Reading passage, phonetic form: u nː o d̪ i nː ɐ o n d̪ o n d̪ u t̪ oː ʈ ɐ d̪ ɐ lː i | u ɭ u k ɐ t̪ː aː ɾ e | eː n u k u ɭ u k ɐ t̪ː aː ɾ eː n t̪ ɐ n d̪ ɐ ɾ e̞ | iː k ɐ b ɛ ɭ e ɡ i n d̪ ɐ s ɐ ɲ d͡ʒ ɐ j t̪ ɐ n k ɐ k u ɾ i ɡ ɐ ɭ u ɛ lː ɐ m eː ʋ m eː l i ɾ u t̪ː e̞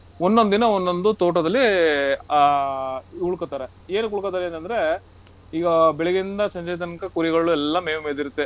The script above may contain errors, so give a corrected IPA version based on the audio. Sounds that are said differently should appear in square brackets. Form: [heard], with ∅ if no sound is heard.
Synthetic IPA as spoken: [o] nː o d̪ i [n] ɐ o n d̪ o n d̪ u t̪ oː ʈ ɐ d̪ ɐ lː i | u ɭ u k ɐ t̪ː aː ɾ e | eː n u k u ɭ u k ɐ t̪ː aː ɾ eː n t̪ ɐ n d̪ ɐ ɾ e̞ | iː [ɡ] ɐ b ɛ ɭ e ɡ i n d̪ ɐ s ɐ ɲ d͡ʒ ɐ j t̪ ɐ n k ɐ k u ɾ i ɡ ɐ ɭ u ɛ lː ɐ m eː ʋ m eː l i ɾ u t̪ː e̞

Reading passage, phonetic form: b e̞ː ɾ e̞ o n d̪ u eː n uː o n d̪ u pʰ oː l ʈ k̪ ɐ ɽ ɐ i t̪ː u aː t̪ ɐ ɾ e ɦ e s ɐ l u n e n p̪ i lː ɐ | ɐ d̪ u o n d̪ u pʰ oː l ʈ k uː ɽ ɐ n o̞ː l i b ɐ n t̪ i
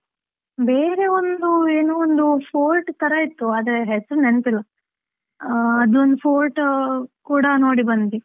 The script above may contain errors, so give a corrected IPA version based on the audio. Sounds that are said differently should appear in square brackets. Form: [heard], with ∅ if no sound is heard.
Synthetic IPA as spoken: b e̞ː ɾ e̞ o n d̪ u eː n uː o n d̪ u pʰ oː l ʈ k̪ ɐ [ɾ] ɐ i t̪ː u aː [d̪] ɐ ɾ e ɦ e s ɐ [ɾ] u n e n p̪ i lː ɐ | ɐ d̪ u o n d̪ u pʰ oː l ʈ k uː ɽ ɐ n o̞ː [ɽ] i b ɐ n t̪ i

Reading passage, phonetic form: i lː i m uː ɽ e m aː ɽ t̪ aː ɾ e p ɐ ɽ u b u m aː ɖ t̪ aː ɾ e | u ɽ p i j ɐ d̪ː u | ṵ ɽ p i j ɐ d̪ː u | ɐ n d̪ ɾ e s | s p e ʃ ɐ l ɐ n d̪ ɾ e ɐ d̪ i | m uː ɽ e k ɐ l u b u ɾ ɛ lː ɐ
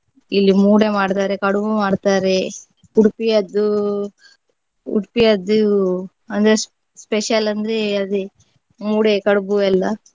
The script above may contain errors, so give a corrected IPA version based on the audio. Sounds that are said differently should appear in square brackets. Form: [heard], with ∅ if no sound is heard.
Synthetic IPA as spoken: i lː i m uː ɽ e m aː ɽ t̪ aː ɾ e [k] ɐ ɽ u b u m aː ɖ t̪ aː ɾ e | u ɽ p i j ɐ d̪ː u | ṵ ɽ p i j ɐ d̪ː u | ɐ n d̪ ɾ e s | s p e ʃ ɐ l ɐ n d̪ ɾ e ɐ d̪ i | m uː ɽ e k ɐ [ɽ] u b u [∅] ɛ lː ɐ

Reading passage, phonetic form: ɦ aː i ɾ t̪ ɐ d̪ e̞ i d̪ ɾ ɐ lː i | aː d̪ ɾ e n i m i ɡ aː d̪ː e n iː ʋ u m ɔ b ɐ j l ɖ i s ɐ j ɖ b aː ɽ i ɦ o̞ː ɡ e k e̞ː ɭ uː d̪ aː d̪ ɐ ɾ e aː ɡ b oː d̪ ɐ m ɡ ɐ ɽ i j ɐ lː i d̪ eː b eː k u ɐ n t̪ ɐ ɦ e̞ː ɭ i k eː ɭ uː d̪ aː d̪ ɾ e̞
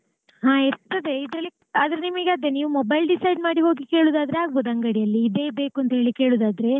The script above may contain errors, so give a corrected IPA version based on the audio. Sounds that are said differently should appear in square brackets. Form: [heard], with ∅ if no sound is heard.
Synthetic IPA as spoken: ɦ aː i ɾ t̪ ɐ d̪ e̞ i d̪ ɾ ɐ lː i | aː d̪ ɾ e n i m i ɡ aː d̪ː e n iː ʋ u m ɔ b ɐ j l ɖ i s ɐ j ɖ [m] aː ɽ i ɦ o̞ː ɡ [i] k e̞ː ɭ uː d̪ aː d̪ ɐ ɾ e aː ɡ b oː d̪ ɐ [ŋ] ɡ ɐ ɽ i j ɐ lː [iː] d̪ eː b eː k u ɐ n t̪ ɐ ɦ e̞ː ɭ i k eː ɭ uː d̪ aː d̪ ɾ e̞

